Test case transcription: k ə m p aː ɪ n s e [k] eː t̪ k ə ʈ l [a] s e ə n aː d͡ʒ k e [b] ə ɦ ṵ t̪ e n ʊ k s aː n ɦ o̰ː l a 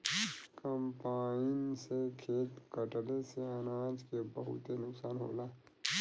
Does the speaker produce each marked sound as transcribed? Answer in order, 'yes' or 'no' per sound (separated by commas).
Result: no, no, yes